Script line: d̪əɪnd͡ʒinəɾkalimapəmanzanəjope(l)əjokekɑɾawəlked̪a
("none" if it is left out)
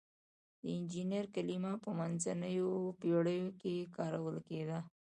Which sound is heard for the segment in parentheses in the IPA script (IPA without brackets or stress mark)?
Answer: ɽ